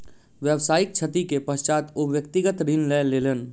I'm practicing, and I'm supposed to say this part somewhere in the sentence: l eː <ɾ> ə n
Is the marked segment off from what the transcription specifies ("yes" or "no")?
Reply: yes